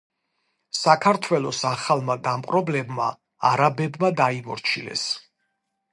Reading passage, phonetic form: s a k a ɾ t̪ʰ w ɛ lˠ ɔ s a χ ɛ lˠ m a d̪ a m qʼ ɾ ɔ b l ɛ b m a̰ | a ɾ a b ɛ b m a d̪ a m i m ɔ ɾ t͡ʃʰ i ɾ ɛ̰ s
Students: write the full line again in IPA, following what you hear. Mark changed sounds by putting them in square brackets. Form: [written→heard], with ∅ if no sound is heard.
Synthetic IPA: s a [k→kʰ] a ɾ t̪ʰ w ɛ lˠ ɔ s a χ [ɛ→a] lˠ m a d̪ a m qʼ ɾ ɔ b l ɛ b m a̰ | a ɾ a b ɛ b m a d̪ a [m→∅] i m ɔ ɾ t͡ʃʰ i [ɾ→l] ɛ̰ s

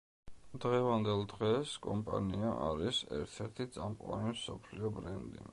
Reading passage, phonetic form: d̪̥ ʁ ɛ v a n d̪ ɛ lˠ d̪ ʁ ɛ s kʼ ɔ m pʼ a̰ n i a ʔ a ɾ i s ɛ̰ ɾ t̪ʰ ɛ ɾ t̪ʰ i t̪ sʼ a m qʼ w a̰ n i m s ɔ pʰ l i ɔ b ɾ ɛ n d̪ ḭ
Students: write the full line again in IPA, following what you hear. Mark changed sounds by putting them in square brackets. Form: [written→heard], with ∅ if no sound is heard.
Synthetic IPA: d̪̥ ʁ ɛ v a n d̪ ɛ lˠ d̪ ʁ ɛ s kʼ ɔ m pʼ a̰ n i a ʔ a ɾ i s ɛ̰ ɾ t̪ʰ ɛ ɾ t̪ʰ i t̪ sʼ a m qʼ w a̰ n i m s ɔ pʰ l i ɔ b ɾ ɛ n d̪ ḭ

